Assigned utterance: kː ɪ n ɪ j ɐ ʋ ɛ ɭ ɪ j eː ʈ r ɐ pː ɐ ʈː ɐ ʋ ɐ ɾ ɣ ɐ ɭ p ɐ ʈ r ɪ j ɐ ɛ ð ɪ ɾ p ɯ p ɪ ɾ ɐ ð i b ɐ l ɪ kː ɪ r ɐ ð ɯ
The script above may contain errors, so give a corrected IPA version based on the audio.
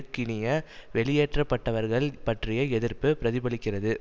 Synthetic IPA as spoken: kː ɪ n ɪ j ɐ ʋ ɛ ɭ ɪ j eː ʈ r ɐ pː ɐ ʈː ɐ ʋ ɐ ɾ ɣ ɐ ɭ p ɐ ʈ r ɪ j ɐ ɛ ð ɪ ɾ p ɯ p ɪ ɾ ɐ ð ɪ b ɐ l ɪ kː ɪ r ɐ ð ɯ

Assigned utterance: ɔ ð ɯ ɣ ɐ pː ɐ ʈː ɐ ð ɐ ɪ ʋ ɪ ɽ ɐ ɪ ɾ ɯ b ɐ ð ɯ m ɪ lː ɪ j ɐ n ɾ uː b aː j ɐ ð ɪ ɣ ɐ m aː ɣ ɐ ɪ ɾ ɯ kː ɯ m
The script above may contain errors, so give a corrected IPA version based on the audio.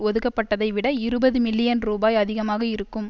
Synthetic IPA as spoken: ɔ ð ɯ ɣ ɐ pː ɐ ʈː ɐ ð ɐ ɪ ʋ ɪ ɽ ɐ ɪ ɾ ɯ b ɐ ð ɯ m ɪ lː ɪ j ɐ n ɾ uː b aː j ɐ ð ɪ ɣ ɐ m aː ɣ ɐ ɪ ɾ ɯ kː ɯ m

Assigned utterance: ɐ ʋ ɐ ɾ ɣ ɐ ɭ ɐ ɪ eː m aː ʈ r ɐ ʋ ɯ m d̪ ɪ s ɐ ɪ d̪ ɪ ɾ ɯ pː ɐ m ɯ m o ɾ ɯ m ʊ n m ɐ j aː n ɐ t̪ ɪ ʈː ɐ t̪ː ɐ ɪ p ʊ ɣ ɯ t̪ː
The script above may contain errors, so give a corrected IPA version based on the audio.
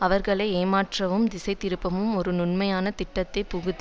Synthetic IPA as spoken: ɐ ʋ ɐ ɾ ɣ ɐ ɭ ɐ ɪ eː m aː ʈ r ɐ ʋ ɯ m d̪ ɪ s ɐ ɪ t̪ ɪ ɾ ɯ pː ɐ m ɯ m ɔ ɾ ɯ n ʊ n m ɐ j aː n ɐ t̪ ɪ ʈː ɐ t̪ː ɐ ɪ p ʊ ɣ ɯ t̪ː

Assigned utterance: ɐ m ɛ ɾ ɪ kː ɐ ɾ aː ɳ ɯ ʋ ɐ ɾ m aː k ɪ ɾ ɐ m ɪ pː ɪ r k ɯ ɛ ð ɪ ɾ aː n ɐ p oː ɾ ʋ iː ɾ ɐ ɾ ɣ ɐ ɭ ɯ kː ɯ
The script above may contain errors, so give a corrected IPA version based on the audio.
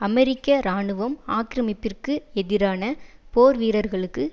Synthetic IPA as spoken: ɐ m ɛ ɾ ɪ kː ɐ ɾ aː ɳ ɯ ʋ ɐ m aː k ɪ ɾ ɐ m ɪ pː ɪ r k ɯ ɛ ð ɪ ɾ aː n ɐ p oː ɾ ʋ iː ɾ ɐ ɾ ɣ ɐ ɭ ɯ kː ɯ

